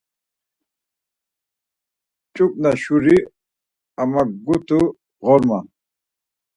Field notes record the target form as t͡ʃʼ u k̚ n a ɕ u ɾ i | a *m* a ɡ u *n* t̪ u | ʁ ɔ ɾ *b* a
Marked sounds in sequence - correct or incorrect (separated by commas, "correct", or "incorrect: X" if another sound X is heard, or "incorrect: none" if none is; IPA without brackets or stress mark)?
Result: correct, incorrect: none, incorrect: m